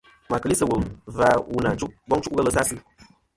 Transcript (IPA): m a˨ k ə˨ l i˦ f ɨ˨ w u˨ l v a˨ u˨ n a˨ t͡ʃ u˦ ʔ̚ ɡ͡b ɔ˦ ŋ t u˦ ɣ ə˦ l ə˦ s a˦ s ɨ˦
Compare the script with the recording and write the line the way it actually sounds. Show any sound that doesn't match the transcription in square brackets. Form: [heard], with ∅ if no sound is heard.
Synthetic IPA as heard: m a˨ k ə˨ l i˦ [s] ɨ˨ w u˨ l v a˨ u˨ n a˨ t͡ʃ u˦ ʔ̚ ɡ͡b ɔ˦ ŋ [t͡ʃ] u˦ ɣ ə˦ l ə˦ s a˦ s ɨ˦